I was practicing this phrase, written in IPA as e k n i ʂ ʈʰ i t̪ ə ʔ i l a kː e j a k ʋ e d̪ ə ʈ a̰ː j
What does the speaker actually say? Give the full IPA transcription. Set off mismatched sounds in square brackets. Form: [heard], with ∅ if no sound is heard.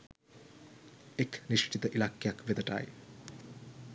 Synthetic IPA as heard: e k n i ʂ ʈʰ i t̪ ə ʔ i l a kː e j a k ʋ e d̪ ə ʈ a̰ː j